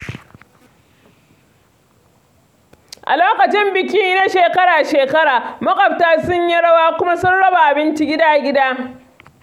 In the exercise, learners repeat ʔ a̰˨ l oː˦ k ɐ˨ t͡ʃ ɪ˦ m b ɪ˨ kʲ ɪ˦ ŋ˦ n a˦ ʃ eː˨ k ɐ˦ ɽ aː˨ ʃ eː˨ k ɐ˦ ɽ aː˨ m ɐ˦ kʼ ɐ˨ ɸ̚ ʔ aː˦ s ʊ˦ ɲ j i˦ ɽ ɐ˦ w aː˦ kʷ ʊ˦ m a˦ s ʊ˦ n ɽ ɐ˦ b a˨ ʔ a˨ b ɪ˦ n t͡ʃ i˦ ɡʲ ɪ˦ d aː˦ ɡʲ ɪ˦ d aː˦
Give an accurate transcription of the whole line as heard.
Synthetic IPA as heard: ʔ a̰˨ l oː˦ k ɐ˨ t͡ʃ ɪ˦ m b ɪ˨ kʲ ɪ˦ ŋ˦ n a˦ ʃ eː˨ k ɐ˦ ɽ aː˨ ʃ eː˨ k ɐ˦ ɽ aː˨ m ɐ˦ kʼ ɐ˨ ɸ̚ t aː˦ s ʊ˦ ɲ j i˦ ɽ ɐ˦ w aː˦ kʷ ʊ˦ m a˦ s ʊ˦ n ɽ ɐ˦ b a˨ ʔ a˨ b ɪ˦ n t͡ʃ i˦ ɡʲ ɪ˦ d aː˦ ɡʲ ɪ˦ d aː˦

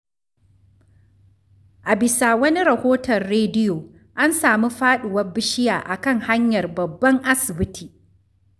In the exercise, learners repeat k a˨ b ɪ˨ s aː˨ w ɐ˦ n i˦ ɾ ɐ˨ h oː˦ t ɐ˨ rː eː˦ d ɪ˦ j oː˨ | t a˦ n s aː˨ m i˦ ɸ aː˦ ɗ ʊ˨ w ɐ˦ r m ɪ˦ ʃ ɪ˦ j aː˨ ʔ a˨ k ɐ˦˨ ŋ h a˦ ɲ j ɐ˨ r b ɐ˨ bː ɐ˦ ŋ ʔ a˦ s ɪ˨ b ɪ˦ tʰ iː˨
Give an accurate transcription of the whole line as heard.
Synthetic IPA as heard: ʔ a˨ b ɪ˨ s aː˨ w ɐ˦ n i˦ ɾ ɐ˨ h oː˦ t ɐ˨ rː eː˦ d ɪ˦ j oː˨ | ʔ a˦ n s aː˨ m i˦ ɸ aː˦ ɗ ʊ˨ w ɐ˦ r b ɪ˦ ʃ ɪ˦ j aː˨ ʔ a˨ k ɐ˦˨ ŋ h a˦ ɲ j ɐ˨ r b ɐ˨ bː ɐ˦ ŋ ʔ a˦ s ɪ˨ b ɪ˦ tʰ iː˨

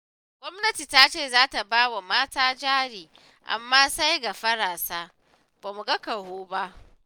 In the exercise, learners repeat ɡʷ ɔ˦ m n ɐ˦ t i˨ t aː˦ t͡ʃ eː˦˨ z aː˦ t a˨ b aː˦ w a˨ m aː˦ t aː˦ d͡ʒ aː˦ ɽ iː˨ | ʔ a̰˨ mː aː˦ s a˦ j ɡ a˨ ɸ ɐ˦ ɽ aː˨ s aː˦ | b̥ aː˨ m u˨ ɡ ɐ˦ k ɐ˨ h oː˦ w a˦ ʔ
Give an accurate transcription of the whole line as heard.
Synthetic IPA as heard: ɡʷ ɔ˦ m n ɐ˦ t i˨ t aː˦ t͡ʃ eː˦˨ z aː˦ t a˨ b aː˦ w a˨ m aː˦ t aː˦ d͡ʒ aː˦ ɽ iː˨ | ʔ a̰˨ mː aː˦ s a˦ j ɡ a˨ ɸ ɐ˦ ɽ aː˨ s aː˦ | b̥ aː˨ m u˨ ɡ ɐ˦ k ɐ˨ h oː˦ b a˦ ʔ

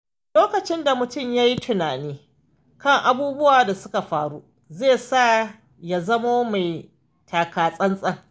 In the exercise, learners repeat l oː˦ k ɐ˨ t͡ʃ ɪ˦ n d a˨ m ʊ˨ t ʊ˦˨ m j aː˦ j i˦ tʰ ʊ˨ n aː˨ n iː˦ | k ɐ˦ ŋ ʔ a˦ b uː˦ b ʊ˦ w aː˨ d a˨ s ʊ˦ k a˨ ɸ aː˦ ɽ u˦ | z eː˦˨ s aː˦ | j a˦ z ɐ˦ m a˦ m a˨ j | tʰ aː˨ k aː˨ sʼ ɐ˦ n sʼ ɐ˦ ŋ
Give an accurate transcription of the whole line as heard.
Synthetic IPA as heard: l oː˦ k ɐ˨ t͡ʃ ɪ˦ n d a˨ m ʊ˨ t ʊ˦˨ m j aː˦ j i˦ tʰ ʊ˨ n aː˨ n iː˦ | k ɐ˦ ŋ ʔ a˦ b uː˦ b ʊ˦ w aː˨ d a˨ s ʊ˦ k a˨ ɸ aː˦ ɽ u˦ | z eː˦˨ s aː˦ | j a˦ z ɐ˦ m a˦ m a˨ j | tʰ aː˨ k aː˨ sʼ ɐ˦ n sʼ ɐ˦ ŋ

